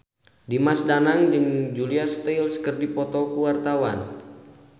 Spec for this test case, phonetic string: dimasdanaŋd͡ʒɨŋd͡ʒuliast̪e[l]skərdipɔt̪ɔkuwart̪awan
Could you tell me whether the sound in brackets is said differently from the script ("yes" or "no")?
no